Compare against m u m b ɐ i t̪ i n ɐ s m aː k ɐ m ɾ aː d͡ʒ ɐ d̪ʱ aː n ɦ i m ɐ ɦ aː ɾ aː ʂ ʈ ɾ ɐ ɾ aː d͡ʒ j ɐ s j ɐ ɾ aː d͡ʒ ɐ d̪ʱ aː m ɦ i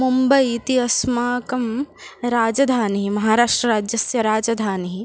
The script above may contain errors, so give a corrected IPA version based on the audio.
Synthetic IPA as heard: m u m b ɐ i t̪ i ɐ s m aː k ɐ m ɾ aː d͡ʒ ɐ d̪ʱ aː n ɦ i m ɐ ɦ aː ɾ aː ʂ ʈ ɾ ɐ ɾ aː d͡ʒ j ɐ s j ɐ ɾ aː d͡ʒ ɐ d̪ʱ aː n ɦ i